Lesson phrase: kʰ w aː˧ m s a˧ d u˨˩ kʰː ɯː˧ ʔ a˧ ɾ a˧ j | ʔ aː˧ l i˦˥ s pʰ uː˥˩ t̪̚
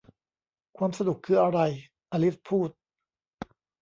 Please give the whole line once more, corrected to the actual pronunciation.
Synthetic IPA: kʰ w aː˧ m s a˧ d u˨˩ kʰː ɯː˧ ʔ a˧ ɾ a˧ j | ʔ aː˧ l i˦˥ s pʰ uː˥˩ t̪̚